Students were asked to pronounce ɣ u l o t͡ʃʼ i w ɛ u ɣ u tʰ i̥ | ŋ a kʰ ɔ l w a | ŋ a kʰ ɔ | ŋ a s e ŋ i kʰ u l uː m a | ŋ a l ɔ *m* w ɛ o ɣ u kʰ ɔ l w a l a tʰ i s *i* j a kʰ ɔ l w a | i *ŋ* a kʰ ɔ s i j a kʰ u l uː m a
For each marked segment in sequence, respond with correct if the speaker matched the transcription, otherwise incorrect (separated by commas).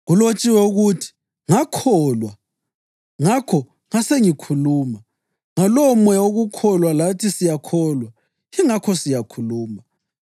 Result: correct, correct, correct